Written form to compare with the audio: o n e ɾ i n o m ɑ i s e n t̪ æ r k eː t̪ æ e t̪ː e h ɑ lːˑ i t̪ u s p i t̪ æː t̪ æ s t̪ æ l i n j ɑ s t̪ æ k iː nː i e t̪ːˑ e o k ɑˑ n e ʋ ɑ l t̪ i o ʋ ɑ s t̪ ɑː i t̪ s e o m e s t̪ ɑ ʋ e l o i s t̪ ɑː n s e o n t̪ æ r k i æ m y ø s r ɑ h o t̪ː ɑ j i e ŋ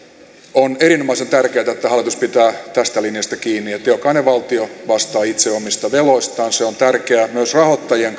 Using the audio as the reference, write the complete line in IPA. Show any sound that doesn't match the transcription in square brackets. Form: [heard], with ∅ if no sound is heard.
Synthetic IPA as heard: o n e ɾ i n o m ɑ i s e n t̪ æ r k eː t̪ æ e t̪ː [æ] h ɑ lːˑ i t̪ u s p i t̪ æː t̪ æ s t̪ æ l i n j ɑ s t̪ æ k iː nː i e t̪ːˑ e o k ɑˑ n e ʋ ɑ l t̪ i o ʋ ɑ s t̪ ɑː i t̪ s e o m [i] s t̪ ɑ ʋ e l o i s t̪ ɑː n s e o n t̪ æ r k [e] æ m y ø s r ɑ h o t̪ː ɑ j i e ŋ